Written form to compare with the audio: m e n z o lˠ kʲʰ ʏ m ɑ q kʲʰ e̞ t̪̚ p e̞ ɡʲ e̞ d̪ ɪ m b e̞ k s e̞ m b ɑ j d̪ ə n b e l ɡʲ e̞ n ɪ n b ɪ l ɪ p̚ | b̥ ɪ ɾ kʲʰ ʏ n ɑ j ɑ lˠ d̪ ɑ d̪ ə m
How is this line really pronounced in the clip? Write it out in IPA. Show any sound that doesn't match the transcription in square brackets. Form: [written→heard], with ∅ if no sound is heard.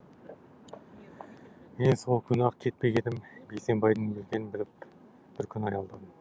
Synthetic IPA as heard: m e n [z→s] o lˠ kʲʰ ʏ [m→n] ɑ q kʲʰ e̞ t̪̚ p e̞ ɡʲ e̞ d̪ ɪ m b e̞ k s e̞ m b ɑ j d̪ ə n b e l ɡʲ e̞ n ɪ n b ɪ l ɪ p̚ | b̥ ɪ ɾ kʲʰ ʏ n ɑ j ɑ lˠ d̪ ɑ d̪ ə m